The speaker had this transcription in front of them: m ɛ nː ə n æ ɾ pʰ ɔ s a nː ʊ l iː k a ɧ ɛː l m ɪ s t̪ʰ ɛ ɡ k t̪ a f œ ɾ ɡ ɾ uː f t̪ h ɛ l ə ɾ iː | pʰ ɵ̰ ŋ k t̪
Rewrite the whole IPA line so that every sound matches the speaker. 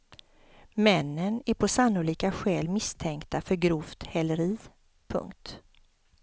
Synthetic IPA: m ɛ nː ə n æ ɾ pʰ ɔ s a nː ʊ l iː k a ɧ ɛː l m ɪ s t̪ʰ ɛ ŋ k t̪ a f œ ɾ ɡ ɾ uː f t̪ h ɛ l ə ɾ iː | pʰ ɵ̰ ŋ k t̪